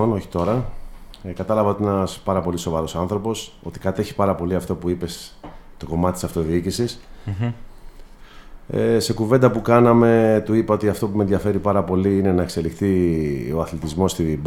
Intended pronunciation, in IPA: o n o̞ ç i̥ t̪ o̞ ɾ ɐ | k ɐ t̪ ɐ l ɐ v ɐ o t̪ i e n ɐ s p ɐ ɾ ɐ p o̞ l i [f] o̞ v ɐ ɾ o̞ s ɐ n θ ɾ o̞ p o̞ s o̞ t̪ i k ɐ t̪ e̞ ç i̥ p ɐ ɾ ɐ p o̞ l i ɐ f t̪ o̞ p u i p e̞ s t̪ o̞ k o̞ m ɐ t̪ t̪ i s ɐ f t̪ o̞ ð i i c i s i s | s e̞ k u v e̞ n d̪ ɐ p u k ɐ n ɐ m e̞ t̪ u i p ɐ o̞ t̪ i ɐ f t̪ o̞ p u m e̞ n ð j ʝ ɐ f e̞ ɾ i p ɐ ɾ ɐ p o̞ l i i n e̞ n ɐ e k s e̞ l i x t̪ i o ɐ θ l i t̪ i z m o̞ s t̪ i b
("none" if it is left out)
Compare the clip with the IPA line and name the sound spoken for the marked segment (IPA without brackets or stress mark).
s